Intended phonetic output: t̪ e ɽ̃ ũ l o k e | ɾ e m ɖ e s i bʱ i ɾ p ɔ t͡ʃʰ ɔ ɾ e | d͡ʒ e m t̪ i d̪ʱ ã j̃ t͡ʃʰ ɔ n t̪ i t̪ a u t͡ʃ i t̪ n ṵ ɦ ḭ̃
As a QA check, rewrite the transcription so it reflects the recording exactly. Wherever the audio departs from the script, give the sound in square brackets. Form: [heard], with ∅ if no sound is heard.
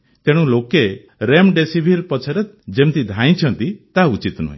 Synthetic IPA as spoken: t̪ e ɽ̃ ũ l o k e | ɾ e m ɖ e s i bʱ i ɾ p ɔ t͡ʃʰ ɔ ɾ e | d͡ʒ e m t̪ i d̪ʱ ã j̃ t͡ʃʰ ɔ n t̪ i t̪ a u t͡ʃ i t̪ n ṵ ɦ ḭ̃